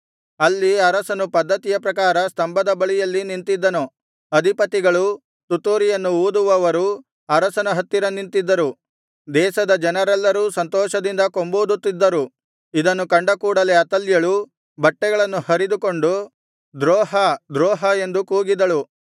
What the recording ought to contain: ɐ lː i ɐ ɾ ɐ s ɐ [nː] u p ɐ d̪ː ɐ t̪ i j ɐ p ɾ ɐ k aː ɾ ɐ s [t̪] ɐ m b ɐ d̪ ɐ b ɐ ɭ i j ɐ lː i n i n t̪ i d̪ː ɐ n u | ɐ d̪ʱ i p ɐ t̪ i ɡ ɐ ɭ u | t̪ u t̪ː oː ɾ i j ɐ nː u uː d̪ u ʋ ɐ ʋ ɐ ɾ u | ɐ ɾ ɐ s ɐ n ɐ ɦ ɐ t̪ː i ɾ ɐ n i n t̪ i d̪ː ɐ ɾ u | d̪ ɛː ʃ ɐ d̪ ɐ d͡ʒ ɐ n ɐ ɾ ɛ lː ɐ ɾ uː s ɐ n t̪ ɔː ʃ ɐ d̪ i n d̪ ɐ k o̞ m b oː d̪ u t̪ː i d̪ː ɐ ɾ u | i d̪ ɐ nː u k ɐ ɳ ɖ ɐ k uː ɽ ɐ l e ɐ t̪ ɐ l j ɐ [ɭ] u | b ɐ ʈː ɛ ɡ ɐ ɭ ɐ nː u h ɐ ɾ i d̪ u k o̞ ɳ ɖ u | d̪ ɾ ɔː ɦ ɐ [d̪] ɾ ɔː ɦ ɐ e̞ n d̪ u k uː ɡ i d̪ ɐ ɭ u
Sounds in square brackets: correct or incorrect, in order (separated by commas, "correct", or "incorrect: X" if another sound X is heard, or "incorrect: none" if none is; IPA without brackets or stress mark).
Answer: incorrect: n, correct, correct, correct